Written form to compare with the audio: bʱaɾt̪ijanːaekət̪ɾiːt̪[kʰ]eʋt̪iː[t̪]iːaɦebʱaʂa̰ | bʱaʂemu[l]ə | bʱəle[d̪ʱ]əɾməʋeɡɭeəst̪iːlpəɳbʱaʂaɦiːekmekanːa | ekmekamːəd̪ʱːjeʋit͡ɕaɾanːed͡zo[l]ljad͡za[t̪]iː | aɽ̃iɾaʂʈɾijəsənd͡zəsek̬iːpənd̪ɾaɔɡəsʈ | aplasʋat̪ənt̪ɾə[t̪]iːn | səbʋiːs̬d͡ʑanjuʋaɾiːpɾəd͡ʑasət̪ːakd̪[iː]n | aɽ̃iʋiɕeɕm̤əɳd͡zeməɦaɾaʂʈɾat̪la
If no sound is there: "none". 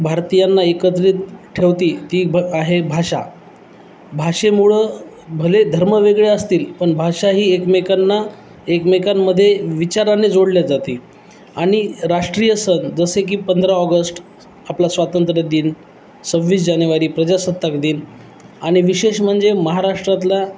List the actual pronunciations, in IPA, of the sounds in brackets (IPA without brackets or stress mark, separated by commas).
ʈʰ, t̪, ɭ, d̪ʱ, ɽ, t̪, d̪, iː